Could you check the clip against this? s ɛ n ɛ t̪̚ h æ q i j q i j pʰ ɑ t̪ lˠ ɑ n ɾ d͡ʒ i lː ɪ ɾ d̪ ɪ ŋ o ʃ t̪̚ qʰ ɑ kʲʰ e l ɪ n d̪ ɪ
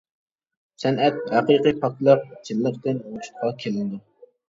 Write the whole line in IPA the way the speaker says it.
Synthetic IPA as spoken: s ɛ n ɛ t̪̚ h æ q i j q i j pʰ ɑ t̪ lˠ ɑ ɾ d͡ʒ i lː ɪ ɾ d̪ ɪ n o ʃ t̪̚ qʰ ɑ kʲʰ e l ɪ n d̪ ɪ